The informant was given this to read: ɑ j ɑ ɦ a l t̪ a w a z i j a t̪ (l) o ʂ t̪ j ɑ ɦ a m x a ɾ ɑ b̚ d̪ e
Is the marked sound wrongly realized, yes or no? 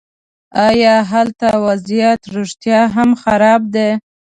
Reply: yes